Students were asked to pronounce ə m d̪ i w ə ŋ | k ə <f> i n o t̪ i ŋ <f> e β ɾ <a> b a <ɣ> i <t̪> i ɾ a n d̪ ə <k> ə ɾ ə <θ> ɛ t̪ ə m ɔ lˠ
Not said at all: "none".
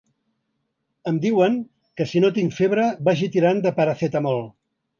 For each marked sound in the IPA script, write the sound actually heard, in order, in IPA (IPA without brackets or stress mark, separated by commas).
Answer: s, f, ə, ʒ, t̪, p, θ